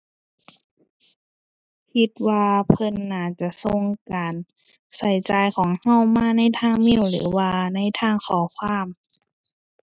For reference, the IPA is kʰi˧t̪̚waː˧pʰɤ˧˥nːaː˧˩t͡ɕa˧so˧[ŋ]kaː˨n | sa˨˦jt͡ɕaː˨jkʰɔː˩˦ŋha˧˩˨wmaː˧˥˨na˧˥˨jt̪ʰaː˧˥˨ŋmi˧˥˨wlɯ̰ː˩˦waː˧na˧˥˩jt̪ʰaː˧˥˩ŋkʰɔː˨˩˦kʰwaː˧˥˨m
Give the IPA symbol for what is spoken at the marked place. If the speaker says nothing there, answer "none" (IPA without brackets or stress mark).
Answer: ŋ